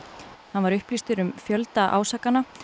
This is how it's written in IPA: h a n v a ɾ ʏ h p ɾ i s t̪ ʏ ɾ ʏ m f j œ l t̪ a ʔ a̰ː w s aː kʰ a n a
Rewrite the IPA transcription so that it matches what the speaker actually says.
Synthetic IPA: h a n v a ɾ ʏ h p l i s t̪ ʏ ɾ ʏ m f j œ l t̪ a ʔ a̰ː w s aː k a n a